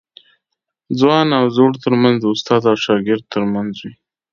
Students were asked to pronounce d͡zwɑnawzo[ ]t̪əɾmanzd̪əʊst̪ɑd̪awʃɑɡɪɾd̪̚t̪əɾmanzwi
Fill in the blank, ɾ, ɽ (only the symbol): ɽ